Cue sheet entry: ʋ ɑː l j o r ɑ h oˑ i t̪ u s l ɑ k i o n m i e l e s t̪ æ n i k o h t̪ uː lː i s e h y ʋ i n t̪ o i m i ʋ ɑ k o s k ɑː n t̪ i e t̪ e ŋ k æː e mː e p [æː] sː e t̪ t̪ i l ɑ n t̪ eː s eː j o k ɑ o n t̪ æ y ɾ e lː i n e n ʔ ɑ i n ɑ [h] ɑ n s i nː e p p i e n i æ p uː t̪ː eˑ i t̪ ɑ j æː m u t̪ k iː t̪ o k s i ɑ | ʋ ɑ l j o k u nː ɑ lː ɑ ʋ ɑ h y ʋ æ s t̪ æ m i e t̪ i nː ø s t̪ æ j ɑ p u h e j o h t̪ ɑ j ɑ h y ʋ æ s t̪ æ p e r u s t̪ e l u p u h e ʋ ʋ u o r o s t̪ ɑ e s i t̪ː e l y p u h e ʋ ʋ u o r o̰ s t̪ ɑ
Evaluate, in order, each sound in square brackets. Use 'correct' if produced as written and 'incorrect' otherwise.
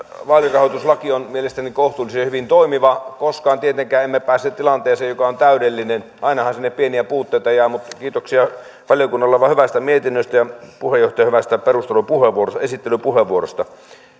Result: correct, correct

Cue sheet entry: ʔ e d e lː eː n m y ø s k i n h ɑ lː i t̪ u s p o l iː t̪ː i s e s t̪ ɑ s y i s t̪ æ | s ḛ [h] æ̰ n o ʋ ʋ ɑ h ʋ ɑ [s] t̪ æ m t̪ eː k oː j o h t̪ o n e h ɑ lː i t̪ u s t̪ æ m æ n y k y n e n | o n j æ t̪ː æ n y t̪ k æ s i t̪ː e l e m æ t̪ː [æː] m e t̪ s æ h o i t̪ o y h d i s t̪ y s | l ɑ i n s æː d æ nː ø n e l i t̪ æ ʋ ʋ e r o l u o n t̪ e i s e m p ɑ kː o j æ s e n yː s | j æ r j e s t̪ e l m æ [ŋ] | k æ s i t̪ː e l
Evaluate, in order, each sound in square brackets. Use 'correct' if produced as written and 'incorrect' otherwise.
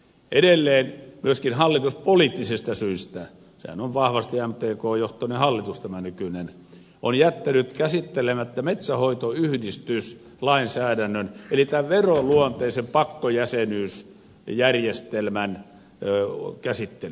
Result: correct, correct, incorrect: æ, incorrect: n

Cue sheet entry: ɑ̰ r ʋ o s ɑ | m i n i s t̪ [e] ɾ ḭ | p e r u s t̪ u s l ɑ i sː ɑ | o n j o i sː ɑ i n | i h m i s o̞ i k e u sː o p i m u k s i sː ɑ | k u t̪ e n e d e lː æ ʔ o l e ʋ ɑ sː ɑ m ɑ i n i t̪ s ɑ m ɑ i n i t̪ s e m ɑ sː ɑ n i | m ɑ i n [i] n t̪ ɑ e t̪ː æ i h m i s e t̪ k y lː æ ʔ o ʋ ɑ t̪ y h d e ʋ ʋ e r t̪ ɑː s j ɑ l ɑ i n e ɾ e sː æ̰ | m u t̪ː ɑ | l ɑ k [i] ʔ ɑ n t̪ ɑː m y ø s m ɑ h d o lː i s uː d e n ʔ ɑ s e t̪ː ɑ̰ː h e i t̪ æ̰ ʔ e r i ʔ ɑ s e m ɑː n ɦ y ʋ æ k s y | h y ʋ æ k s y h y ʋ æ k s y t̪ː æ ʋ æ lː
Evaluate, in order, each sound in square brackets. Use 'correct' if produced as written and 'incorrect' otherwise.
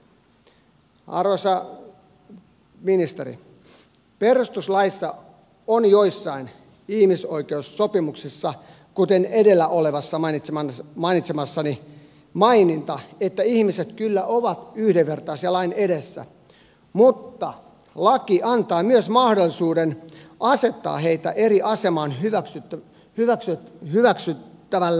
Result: correct, correct, correct

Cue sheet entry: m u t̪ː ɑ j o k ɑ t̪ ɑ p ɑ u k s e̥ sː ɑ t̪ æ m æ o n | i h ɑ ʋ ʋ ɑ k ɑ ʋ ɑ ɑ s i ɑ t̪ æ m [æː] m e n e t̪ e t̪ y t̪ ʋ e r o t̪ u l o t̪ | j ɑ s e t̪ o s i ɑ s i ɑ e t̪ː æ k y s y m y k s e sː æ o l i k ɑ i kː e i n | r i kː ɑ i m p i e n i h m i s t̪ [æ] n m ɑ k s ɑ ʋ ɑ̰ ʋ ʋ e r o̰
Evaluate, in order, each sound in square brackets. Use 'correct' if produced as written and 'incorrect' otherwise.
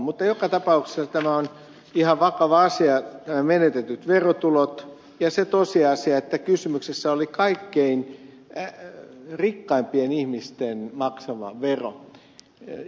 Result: incorrect: æ, incorrect: e

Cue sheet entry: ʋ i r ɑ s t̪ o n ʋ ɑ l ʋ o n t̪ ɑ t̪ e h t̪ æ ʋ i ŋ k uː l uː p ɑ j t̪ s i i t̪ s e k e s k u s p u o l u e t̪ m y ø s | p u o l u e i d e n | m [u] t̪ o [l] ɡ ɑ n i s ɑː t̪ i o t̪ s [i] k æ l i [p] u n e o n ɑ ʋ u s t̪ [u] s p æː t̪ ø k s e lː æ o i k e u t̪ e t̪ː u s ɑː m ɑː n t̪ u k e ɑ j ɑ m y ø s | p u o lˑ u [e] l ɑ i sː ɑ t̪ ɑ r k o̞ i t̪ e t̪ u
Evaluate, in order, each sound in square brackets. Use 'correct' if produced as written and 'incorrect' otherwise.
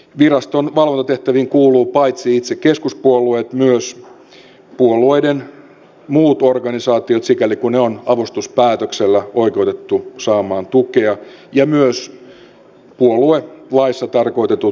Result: incorrect: uː, incorrect: r, correct, incorrect: k, correct, correct

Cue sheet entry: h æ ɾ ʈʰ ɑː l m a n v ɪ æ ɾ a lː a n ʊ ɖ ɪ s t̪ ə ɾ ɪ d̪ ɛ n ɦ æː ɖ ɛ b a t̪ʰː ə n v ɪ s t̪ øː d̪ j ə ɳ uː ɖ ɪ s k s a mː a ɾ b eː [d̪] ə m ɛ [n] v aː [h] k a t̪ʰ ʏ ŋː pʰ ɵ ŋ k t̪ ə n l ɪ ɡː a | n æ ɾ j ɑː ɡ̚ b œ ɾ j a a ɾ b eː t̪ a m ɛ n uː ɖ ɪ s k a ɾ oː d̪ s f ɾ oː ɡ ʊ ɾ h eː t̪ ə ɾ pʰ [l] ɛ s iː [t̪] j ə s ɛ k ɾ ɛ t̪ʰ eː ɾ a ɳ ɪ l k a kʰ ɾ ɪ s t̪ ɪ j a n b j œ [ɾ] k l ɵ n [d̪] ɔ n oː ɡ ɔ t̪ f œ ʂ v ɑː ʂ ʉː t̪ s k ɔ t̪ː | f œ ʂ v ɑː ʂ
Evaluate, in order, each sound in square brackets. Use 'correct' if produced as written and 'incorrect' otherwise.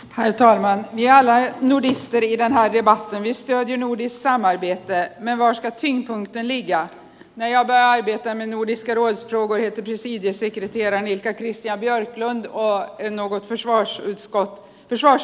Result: incorrect: t̪, correct, incorrect: ʂ, incorrect: ɾ, incorrect: d̪, correct, correct

